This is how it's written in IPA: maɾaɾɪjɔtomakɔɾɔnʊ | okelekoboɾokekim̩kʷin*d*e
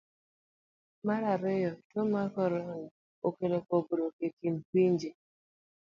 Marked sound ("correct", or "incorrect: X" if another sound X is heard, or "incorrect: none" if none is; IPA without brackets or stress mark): incorrect: d͡ʒ